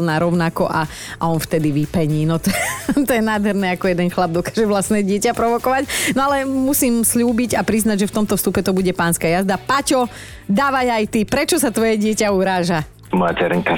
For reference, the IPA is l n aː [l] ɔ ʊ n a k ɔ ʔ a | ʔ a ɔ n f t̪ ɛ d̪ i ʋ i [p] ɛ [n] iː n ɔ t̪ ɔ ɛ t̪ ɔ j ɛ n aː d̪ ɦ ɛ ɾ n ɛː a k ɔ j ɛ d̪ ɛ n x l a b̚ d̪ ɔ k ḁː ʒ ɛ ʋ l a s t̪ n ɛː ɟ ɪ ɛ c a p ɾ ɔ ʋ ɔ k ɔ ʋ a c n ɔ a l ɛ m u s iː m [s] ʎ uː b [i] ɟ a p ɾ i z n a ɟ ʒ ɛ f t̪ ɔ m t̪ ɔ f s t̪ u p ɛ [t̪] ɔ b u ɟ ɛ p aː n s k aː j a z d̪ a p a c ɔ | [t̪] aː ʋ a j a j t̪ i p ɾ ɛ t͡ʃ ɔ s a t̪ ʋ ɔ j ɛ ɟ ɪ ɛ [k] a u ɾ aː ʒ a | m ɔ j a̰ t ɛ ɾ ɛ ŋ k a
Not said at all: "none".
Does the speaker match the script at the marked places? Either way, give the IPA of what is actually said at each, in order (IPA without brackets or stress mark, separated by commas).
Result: ɾ, p, ɲ, s, i, t̪, d̪, c